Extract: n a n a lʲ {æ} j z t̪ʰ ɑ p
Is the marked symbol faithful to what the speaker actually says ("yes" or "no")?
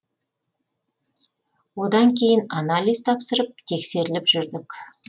no